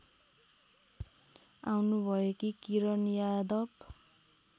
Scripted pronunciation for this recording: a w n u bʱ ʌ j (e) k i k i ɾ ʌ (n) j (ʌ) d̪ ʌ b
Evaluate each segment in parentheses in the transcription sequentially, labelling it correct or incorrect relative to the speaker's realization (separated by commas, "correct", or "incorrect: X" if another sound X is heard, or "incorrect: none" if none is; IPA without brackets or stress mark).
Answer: correct, correct, incorrect: a